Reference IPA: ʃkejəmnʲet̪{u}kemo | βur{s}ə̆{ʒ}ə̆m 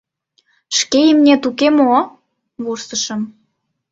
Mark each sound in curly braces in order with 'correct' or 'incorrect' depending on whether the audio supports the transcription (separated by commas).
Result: correct, correct, incorrect